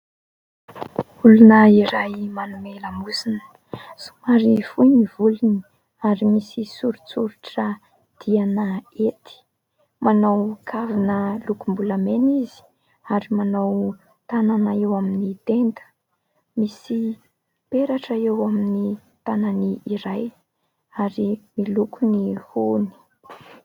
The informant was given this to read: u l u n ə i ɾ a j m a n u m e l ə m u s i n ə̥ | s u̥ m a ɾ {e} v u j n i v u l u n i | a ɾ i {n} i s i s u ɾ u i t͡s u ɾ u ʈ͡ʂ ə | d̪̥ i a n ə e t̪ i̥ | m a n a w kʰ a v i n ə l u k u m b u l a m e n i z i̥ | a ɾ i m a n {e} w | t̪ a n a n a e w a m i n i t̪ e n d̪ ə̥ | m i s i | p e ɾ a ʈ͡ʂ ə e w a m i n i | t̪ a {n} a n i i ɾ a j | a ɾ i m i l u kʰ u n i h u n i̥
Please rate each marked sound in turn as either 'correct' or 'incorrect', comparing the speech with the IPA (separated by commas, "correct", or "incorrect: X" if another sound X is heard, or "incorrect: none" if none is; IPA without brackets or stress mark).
incorrect: i, incorrect: m, incorrect: a, correct